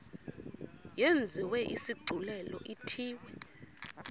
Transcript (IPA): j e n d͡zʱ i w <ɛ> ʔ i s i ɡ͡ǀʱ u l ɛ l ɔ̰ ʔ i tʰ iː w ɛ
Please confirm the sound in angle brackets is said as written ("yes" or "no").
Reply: yes